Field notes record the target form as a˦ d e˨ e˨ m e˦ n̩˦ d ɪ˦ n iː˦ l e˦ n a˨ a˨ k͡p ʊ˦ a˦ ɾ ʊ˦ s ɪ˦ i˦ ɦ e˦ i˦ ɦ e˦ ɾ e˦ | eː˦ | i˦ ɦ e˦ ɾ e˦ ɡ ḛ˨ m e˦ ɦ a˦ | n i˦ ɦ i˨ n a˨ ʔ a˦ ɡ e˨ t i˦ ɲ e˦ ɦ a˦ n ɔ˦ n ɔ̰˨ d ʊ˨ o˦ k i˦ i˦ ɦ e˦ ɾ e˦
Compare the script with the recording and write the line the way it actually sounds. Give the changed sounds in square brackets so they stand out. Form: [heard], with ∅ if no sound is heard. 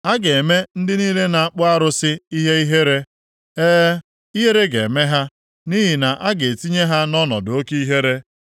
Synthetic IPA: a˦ [ɡ] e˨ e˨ m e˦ n̩˦ d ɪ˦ n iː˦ l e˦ n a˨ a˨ k͡p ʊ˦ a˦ ɾ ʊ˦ s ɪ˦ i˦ ɦ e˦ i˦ ɦ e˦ ɾ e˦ | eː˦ | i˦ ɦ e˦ ɾ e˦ ɡ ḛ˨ m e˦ ɦ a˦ | n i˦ ɦ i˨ n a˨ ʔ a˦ ɡ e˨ t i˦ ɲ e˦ ɦ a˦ n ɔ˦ n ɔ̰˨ d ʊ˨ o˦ k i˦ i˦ ɦ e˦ ɾ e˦